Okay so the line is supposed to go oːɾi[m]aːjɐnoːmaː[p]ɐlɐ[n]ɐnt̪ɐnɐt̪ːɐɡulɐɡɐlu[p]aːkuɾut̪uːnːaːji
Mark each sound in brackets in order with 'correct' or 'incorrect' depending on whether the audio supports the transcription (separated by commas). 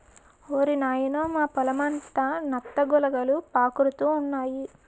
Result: incorrect, correct, incorrect, correct